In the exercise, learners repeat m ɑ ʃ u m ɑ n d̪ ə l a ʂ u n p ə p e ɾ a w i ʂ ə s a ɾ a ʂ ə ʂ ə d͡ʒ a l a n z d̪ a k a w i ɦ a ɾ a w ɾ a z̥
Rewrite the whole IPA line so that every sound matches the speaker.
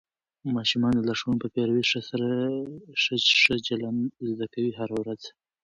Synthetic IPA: m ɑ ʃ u m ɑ n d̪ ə l a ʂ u n p ə p e ɾ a w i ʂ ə s a ɾ a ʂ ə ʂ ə d͡ʒ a l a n z d̪ a k a w i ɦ a ɾ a w ɾ a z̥